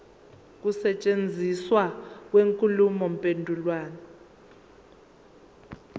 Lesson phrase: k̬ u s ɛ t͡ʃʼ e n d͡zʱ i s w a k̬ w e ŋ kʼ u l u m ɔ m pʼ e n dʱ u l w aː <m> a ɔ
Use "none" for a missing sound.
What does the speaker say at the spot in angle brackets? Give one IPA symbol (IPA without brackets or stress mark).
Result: n